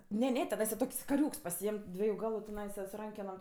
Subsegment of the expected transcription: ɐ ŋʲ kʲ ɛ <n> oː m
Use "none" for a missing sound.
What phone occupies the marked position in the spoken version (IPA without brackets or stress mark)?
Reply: n